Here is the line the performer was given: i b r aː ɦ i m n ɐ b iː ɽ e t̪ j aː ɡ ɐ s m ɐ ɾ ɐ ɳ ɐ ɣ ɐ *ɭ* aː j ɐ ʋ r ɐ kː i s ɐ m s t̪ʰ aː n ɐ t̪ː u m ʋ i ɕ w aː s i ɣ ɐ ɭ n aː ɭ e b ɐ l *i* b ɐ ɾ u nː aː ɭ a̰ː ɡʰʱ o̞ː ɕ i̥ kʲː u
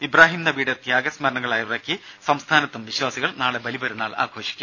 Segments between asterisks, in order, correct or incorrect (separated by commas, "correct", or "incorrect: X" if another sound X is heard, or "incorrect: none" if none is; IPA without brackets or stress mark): correct, correct